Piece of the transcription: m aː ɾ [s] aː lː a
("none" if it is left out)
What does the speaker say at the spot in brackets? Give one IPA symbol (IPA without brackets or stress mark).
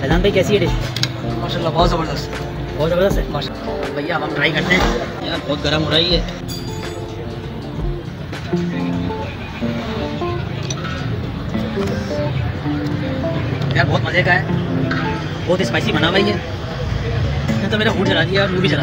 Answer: ʃ